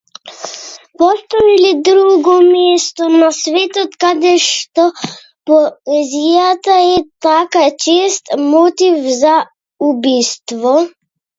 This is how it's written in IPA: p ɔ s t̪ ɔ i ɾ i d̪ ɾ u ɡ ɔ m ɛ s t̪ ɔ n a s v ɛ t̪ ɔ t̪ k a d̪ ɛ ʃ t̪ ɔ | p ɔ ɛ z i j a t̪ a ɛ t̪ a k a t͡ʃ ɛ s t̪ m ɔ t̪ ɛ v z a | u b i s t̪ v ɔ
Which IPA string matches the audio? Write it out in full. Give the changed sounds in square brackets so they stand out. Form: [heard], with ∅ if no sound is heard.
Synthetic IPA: p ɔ s t̪ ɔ i [l] i d̪ ɾ u ɡ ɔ m ɛ s t̪ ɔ n a s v ɛ t̪ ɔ t̪ k a d̪ ɛ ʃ t̪ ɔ | p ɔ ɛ z i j a t̪ a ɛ t̪ a k a t͡ʃ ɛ s t̪ m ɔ t̪ [i] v z a | u b i s t̪ v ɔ